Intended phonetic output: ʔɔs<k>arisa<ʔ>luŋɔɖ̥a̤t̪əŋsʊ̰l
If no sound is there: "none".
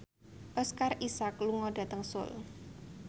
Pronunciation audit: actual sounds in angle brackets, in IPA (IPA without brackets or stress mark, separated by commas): k, k